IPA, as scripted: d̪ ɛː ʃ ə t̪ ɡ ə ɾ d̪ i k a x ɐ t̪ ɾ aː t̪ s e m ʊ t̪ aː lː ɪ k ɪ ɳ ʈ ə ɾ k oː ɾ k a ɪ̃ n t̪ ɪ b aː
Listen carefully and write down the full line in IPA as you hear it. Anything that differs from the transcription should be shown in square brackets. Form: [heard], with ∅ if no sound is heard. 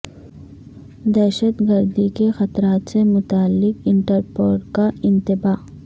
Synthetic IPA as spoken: d̪ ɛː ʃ ə t̪ ɡ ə ɾ d̪ i k [e] x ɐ t̪ ɾ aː t̪ s e m ʊ t̪ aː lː ɪ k ɪ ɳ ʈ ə ɾ [p] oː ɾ k a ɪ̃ n t̪ ɪ b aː